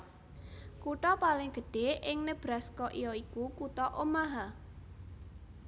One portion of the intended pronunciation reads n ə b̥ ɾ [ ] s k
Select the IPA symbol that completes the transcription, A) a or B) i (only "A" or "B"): A